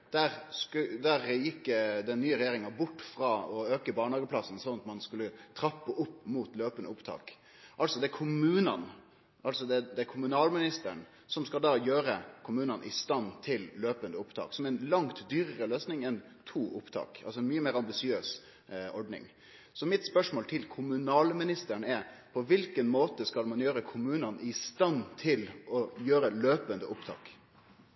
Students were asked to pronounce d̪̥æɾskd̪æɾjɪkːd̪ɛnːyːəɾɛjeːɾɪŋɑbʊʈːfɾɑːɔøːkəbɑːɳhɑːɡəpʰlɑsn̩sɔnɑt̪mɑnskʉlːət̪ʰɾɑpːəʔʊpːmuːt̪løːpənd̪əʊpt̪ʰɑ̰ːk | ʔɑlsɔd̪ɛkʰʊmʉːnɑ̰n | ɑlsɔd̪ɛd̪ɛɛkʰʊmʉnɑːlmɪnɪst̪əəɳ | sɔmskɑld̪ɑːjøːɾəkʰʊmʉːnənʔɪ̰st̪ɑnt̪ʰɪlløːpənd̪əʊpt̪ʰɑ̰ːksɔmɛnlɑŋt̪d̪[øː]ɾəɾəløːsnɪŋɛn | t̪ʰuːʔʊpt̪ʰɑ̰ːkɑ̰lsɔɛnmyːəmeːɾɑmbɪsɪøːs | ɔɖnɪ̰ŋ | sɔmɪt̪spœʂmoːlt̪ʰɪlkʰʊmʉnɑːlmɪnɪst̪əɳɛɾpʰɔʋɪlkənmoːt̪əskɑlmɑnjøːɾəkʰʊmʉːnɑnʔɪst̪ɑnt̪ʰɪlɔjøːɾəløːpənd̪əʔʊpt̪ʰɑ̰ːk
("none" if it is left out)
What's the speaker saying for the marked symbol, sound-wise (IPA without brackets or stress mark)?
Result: yː